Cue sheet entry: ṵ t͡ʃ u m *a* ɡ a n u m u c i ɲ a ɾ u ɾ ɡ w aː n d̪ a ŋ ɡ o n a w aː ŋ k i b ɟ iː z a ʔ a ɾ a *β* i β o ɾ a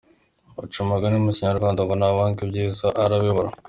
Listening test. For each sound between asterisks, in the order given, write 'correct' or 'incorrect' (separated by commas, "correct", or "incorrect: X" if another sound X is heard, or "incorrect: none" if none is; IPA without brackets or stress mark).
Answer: correct, correct